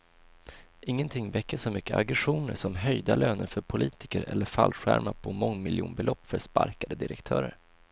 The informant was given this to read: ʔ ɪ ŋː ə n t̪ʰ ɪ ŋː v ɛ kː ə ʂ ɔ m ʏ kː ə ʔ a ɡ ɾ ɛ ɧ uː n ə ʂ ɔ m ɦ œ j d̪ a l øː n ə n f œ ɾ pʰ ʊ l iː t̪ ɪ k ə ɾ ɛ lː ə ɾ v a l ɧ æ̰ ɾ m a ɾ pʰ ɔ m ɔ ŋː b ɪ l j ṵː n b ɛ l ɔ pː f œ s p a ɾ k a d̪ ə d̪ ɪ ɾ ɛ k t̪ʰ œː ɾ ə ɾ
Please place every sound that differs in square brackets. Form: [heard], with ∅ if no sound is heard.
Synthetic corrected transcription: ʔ ɪ ŋː ə n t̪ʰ ɪ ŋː v ɛ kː ə ʂ ɔ m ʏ kː ə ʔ a ɡ ɾ ɛ ɧ uː n ə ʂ ɔ m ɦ œ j d̪ a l øː n ə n f œ ɾ pʰ ʊ l iː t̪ ɪ k ə ɾ ɛ lː ə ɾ [f] a l ɧ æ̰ ɾ m a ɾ pʰ ɔ m ɔ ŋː [m] ɪ l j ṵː n b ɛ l ɔ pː f œ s p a ɾ k a d̪ ə d̪ ɪ ɾ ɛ k t̪ʰ œː ɾ ə ɾ